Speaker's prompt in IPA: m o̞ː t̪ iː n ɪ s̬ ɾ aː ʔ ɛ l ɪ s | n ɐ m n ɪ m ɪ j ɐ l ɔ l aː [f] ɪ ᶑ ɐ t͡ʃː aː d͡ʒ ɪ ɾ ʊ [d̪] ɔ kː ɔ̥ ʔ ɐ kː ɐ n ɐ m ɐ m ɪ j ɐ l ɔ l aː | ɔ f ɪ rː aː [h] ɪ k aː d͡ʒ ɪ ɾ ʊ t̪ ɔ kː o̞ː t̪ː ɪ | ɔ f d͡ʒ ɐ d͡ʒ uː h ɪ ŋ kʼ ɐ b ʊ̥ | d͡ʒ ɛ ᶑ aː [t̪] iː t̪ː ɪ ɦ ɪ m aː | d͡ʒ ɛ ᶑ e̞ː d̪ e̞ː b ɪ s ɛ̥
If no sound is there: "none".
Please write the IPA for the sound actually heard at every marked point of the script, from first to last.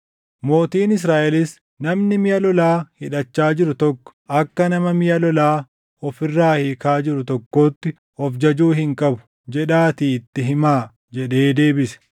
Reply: h, t̪, h, t̪

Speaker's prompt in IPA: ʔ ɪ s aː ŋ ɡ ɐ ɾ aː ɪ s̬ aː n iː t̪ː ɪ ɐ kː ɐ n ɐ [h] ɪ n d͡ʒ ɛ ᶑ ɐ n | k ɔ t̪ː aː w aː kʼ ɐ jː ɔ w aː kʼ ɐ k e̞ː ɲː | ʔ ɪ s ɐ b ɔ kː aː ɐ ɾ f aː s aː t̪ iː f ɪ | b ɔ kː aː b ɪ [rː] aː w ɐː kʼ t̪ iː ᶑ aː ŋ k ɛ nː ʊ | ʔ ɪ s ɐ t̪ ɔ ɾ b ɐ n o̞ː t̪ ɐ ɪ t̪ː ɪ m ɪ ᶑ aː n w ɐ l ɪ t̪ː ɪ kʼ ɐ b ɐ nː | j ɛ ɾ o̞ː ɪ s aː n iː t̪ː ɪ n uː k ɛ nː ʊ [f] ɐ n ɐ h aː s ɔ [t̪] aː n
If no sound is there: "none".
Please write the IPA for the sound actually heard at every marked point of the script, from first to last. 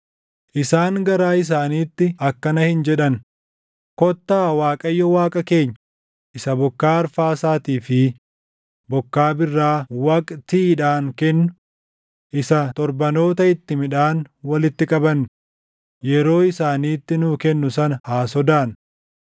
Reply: h, rː, s, d̪

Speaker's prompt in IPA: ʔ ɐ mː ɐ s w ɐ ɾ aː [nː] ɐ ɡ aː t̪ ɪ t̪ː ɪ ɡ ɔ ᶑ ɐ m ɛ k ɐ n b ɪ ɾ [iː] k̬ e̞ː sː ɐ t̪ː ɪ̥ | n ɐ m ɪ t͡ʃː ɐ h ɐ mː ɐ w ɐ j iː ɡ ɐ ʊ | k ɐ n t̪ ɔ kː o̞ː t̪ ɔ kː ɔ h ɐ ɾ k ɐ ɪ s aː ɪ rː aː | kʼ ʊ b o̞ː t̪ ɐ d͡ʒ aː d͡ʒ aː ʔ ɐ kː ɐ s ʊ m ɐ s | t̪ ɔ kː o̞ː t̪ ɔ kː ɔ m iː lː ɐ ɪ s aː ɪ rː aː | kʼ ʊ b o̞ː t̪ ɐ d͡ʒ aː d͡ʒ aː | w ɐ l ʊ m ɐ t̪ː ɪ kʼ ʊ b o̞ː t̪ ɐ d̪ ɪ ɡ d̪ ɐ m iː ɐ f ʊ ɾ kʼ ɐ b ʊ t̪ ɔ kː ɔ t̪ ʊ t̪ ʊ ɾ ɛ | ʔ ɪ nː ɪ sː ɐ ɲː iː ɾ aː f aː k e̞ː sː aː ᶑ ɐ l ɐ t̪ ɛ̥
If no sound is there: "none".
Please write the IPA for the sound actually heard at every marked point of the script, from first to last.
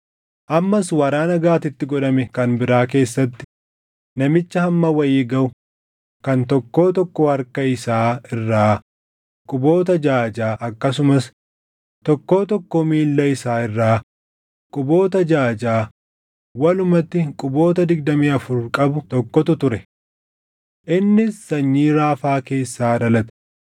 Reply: n, aː

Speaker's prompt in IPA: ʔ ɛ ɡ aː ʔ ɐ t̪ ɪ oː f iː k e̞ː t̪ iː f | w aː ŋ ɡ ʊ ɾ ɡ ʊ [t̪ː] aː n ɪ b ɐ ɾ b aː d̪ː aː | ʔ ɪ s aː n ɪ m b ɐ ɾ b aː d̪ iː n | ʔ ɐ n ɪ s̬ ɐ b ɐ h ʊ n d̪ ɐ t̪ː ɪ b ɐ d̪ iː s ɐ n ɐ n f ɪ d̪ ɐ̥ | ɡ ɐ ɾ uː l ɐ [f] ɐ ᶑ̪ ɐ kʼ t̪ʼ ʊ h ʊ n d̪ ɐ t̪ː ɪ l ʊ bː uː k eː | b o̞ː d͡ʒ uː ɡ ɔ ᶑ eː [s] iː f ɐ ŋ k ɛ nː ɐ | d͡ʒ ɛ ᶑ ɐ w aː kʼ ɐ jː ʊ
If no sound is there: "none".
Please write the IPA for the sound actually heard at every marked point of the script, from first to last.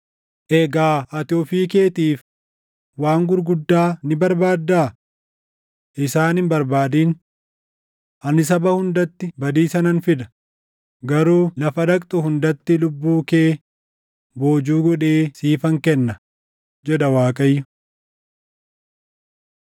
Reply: d̪ː, f, s

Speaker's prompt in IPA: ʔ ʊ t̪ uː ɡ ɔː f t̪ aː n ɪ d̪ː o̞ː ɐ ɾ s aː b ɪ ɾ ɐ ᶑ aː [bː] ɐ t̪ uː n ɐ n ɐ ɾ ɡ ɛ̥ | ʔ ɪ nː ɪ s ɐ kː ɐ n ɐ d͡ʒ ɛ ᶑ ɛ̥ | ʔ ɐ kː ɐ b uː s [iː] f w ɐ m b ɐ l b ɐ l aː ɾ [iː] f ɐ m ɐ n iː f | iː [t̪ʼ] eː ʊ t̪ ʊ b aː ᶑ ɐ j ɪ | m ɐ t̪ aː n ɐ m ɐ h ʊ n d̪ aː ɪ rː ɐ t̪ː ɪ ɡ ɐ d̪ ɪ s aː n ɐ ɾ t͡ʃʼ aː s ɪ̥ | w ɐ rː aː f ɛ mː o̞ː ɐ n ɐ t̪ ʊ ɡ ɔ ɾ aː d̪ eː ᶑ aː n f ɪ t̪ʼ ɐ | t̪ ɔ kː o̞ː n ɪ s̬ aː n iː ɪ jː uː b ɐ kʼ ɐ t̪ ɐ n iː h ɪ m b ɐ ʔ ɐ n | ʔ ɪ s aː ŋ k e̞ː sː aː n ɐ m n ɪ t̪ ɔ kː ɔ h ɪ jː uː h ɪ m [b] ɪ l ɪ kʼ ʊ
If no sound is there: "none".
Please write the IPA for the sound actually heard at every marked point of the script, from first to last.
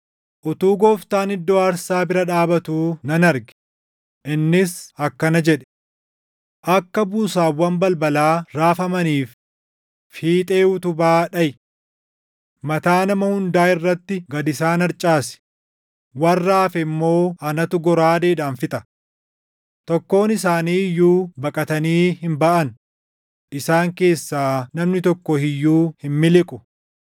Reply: b, aː, aː, t̪ʼ, m

